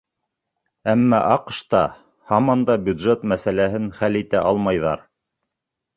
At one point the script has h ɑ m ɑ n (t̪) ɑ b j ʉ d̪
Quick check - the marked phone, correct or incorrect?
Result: incorrect